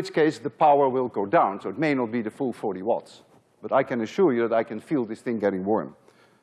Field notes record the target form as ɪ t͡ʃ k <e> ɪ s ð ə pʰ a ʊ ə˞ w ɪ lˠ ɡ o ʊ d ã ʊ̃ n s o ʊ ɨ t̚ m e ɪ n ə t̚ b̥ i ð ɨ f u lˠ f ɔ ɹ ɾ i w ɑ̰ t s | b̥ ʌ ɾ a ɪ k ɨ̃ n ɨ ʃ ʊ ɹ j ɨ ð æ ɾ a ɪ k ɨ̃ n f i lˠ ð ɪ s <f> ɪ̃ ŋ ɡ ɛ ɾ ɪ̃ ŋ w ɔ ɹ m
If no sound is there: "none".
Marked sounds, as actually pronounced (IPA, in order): e, θ

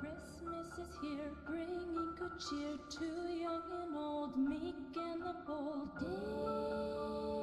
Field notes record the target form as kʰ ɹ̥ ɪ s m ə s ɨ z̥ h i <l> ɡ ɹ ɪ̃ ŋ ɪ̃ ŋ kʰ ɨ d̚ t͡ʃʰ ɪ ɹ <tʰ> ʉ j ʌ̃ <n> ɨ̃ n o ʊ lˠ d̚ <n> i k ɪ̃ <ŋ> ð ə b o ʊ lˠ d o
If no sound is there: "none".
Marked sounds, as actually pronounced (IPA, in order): ɹ, tʰ, ŋ, m, n

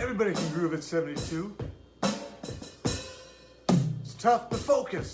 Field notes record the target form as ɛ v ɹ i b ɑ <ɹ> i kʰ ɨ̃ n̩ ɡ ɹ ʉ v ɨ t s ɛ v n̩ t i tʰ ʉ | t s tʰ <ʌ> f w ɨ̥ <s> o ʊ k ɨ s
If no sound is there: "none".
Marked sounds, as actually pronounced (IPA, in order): ɾ, ʌ, f

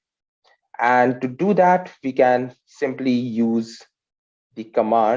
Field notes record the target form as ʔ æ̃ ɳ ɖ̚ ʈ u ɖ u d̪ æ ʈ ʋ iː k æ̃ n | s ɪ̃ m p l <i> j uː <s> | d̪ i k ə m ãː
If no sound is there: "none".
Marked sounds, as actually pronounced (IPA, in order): i, z

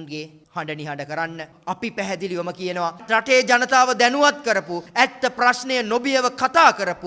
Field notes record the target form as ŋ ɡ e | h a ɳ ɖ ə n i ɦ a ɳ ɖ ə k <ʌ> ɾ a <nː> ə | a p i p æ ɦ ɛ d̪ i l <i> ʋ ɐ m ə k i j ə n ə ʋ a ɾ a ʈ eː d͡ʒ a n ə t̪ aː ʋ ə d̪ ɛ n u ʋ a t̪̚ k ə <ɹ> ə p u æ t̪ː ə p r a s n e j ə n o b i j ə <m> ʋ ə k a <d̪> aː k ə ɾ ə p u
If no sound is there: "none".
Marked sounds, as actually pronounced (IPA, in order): ə, nː, i, ɾ, none, t̪

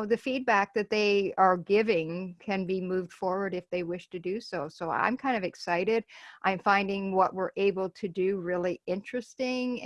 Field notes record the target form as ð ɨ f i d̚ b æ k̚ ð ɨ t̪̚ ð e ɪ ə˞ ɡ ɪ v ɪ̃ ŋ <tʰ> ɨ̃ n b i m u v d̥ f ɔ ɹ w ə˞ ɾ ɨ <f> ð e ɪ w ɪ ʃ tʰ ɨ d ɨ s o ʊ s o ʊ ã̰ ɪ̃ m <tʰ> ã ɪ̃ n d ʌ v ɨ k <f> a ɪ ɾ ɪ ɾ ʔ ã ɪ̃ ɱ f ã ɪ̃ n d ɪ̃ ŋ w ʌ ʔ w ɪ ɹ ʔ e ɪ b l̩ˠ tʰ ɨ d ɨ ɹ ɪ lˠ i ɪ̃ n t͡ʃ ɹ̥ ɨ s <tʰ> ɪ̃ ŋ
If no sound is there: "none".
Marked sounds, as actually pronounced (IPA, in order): kʰ, f, kʰ, s, t

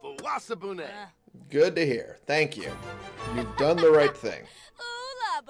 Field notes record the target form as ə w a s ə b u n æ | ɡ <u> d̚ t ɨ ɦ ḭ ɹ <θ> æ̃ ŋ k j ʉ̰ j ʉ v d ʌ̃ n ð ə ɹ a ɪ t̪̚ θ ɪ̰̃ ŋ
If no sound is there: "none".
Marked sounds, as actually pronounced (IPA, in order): ʊ, θ

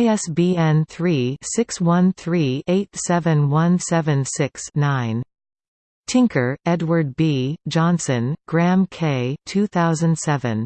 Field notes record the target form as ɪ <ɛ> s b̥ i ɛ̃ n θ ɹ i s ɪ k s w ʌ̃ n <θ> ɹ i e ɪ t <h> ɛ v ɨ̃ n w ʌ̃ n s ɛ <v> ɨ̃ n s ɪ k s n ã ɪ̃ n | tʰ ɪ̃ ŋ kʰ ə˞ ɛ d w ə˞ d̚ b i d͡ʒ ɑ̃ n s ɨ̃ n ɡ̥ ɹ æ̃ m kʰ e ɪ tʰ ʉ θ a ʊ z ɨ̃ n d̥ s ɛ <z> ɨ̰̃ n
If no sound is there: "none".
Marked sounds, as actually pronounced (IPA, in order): ɛ, θ, s, v, v

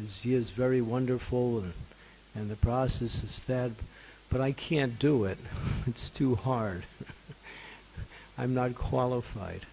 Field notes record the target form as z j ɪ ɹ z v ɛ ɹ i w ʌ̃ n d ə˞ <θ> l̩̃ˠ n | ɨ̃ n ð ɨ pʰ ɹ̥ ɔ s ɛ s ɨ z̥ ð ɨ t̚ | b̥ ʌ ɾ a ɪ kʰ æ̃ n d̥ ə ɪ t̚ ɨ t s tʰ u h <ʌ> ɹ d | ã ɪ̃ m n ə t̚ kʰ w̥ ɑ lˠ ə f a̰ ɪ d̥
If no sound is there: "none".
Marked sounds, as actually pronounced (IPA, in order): f, ɑ

